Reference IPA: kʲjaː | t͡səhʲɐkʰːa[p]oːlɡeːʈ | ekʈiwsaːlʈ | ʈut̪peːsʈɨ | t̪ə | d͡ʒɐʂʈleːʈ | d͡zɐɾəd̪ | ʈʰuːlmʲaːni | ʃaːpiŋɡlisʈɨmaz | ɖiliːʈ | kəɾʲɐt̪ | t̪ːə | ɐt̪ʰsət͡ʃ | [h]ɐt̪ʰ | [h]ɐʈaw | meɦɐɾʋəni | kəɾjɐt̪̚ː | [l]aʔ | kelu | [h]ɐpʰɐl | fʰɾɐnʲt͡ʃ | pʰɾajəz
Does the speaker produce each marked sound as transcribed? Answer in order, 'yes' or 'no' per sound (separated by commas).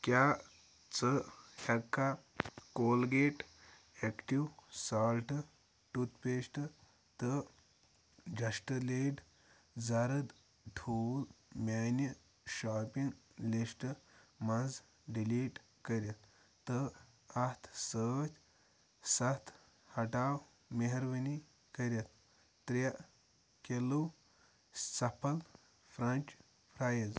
no, no, yes, no, no